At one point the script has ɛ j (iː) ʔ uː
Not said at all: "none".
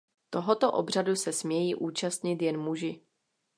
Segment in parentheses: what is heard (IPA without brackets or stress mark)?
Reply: iː